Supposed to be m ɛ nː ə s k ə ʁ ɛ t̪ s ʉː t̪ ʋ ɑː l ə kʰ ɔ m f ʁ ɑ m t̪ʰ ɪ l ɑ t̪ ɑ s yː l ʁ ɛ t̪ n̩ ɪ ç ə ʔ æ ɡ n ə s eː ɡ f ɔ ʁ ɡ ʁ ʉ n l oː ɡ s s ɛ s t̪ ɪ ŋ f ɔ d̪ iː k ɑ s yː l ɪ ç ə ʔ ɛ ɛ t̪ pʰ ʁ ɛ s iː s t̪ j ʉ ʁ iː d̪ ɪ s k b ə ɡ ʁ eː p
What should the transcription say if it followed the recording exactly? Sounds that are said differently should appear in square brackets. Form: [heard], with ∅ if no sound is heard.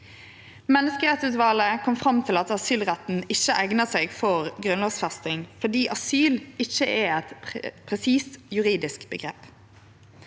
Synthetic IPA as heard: m ɛ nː ə s k ə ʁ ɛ t̪ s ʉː t̪ ʋ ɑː l ə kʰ ɔ m f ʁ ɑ m t̪ʰ ɪ l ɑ t̪ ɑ s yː l ʁ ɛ t̪ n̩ ɪ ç ə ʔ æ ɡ n ə s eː ɡ f ɔ ʁ ɡ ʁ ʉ n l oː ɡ s [f] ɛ s t̪ ɪ ŋ f ɔ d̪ iː [ʔ] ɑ s yː l ɪ ç ə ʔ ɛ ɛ t̪ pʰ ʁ ɛ s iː s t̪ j ʉ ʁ iː d̪ ɪ s k b ə ɡ ʁ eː p

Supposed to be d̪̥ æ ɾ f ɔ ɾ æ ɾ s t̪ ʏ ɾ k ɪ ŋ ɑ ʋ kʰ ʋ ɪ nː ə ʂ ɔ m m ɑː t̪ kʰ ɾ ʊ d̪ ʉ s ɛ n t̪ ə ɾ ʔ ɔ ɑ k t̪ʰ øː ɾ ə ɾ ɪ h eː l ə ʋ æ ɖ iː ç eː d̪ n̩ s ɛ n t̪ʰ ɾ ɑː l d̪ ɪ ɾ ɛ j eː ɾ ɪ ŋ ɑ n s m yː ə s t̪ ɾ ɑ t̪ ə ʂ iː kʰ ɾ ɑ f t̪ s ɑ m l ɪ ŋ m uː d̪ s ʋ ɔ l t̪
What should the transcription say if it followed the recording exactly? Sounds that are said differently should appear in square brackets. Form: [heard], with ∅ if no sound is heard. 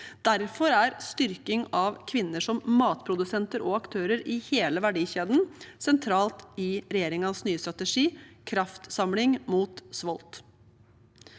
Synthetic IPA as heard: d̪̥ æ ɾ f ɔ ɾ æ ɾ s t̪ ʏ ɾ k ɪ ŋ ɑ ʋ kʰ ʋ ɪ nː ə ʂ ɔ m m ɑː t̪ [pʰ] ɾ ʊ d̪ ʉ s ɛ n t̪ ə ɾ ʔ ɔ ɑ k t̪ʰ øː ɾ ə ɾ ɪ h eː l ə ʋ æ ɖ iː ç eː d̪ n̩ s ɛ n t̪ʰ ɾ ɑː l [t̪] ɪ ɾ ɛ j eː ɾ ɪ ŋ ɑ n s [n] yː ə s t̪ ɾ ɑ t̪ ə ʂ iː kʰ ɾ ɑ f t̪ s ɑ m l ɪ ŋ m uː [t̪] s ʋ ɔ l t̪

